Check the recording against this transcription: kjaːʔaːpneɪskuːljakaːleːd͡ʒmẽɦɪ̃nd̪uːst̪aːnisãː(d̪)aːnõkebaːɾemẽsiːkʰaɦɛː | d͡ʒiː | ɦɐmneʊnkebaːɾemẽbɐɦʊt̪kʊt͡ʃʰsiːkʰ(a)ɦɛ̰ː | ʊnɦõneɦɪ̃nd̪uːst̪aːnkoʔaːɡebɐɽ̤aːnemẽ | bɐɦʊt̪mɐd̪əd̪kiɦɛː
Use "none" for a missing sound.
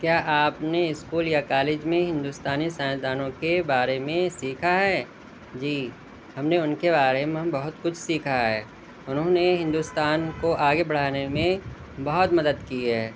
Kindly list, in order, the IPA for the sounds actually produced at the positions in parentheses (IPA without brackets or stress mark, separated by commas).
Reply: d̪, a